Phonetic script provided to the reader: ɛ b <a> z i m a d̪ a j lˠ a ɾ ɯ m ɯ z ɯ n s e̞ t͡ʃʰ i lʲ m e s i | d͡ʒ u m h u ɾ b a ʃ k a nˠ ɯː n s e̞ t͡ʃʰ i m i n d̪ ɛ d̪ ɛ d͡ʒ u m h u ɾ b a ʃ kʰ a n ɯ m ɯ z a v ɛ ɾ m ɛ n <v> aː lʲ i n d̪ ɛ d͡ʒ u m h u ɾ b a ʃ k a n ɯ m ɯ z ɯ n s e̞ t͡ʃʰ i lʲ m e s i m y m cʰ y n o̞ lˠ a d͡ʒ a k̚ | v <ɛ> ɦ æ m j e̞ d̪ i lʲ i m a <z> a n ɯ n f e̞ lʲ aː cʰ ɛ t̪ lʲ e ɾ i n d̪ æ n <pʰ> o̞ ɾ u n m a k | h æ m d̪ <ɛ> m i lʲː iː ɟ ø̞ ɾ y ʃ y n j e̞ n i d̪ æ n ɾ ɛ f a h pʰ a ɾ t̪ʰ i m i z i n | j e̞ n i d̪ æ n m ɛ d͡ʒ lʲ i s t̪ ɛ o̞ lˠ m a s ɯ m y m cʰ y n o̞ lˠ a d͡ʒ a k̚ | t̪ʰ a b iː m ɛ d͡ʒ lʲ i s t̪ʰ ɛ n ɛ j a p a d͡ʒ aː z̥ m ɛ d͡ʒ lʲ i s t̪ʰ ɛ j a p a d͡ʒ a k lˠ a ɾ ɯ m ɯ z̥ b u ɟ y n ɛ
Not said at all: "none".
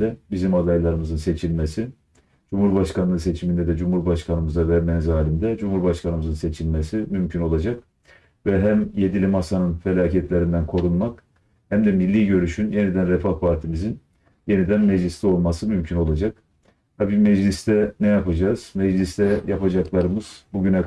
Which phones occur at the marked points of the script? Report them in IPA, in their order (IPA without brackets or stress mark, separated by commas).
i, z, ɛ, s, kʰ, ɛ